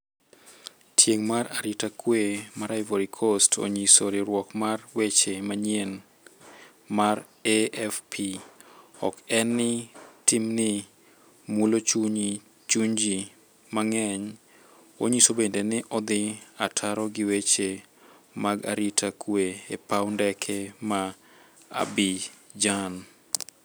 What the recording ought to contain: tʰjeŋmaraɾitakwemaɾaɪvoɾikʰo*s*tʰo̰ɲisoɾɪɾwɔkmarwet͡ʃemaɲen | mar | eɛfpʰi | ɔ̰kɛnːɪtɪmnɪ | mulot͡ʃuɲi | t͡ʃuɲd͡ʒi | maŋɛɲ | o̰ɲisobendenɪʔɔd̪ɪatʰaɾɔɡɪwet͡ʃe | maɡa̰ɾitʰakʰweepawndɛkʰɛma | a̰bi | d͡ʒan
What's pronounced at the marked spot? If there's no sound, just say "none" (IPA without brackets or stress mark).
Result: s